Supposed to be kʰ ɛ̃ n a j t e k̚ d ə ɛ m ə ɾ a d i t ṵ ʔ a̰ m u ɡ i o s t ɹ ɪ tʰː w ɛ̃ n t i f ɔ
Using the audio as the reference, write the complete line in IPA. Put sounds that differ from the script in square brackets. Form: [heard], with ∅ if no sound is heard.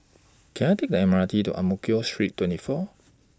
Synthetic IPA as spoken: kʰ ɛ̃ n a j t e k̚ d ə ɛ m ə [ɹ] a [t] i t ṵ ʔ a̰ m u [k] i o s t ɹ [i] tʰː w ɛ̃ n t i f ɔ